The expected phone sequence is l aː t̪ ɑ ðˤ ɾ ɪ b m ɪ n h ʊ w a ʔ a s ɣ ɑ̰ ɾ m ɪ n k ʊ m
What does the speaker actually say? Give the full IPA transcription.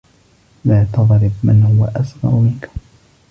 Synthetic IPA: l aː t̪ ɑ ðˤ ɾ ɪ b m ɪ n h ʊ w a ʔ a s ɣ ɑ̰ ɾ m ɪ n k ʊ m

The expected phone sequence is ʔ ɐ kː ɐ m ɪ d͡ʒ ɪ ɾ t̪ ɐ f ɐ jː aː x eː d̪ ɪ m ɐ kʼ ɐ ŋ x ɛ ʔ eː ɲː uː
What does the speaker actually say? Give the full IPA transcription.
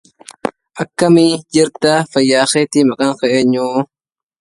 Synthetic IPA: ʔ ɐ kː ɐ m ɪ d͡ʒ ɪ ɾ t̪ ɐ f ɐ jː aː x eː t̪ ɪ m ɐ kʼ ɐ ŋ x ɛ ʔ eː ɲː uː

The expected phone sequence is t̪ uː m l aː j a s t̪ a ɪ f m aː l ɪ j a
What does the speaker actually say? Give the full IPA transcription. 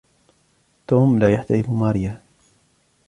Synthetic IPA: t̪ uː m l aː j a ħ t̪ a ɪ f m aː ɾ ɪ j a

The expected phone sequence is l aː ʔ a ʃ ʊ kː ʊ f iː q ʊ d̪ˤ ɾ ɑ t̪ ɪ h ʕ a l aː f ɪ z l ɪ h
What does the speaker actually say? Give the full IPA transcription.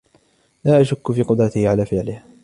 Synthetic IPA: l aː ʔ a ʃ ʊ kː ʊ f iː q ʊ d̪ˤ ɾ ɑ t̪ ɪ h ʕ a l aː f ɪ ʕ l ɪ h

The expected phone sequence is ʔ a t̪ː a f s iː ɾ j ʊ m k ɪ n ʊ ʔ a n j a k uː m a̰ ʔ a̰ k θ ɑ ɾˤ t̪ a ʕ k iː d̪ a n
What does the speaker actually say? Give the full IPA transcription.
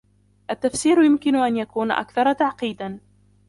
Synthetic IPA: ʔ a t̪ː a f s iː ɾ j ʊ m k ɪ n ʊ ʔ a n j a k uː n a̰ ʔ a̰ k θ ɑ ɾˤ t̪ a ʕ q iː d̪ a n

